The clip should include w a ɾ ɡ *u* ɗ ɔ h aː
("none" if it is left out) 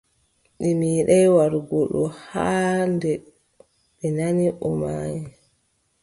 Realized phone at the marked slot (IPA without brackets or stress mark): ɔ